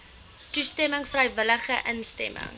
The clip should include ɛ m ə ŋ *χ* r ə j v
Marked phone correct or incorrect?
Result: incorrect